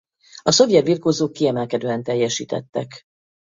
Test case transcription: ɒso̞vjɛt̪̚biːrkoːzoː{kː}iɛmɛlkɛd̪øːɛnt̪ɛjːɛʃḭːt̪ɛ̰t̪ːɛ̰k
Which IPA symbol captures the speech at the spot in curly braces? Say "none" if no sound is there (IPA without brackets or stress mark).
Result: kː